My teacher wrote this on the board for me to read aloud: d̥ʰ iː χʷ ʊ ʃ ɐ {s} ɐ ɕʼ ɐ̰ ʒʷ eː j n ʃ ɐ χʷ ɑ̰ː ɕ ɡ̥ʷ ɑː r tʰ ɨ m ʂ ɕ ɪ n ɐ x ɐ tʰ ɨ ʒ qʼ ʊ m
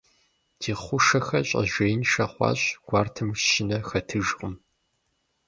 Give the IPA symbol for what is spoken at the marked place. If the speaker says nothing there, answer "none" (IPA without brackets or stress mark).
x